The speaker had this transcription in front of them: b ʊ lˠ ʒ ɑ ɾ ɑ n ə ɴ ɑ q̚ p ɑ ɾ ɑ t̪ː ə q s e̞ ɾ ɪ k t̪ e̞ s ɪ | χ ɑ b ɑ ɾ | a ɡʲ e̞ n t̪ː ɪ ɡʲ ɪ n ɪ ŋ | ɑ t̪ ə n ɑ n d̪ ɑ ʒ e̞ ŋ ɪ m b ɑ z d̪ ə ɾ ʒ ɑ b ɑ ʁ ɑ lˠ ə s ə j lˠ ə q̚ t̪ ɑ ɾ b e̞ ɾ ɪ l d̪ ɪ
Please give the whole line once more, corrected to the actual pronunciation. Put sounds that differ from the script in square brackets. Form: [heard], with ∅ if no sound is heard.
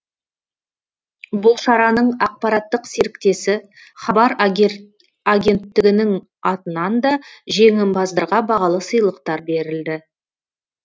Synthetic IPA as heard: b ʊ lˠ [ʃ] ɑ ɾ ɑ n ə ɴ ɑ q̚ p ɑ ɾ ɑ t̪ː ə q s e̞ ɾ ɪ k t̪ e̞ s ɪ | χ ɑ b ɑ ɾ | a ɡʲ e̞ n t̪ː ɪ ɡʲ ɪ n ɪ ŋ | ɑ t̪ ə n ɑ n d̪ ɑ ʒ e̞ ŋ ɪ m b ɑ z d̪ ə ɾ [ʁ] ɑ b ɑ ʁ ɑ lˠ ə s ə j lˠ ə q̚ t̪ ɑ ɾ b e̞ ɾ ɪ l d̪ ɪ